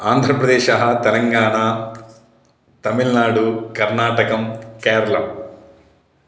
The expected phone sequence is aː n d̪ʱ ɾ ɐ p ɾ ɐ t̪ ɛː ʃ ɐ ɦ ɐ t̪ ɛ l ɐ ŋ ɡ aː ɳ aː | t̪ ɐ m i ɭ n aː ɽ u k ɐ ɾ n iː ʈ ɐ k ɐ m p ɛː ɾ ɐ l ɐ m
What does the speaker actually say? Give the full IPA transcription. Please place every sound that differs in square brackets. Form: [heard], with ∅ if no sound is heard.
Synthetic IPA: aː n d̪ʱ ɾ ɐ p ɾ ɐ [d̪] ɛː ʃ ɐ ɦ ɐ t̪ ɛ l ɐ ŋ ɡ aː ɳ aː | t̪ ɐ m i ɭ n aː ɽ u k ɐ ɾ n [aː] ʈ ɐ k ɐ m [k] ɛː ɾ ɐ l ɐ m